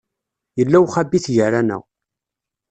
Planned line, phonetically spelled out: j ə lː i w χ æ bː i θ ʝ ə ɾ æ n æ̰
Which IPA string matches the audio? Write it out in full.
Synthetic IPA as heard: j ə lː æ w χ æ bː i θ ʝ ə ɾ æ n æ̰